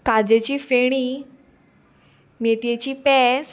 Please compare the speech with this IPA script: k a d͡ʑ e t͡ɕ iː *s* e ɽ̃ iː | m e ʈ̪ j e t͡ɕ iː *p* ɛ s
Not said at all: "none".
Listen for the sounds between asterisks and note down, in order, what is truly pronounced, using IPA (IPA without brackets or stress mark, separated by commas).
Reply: f, p